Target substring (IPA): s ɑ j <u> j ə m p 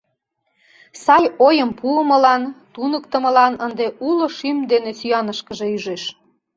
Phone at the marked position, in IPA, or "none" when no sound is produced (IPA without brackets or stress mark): o